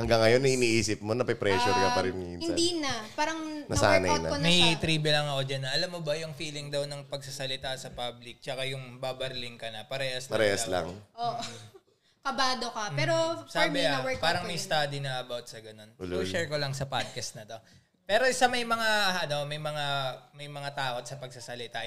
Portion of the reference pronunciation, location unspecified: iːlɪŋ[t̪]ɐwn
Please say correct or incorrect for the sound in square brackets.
incorrect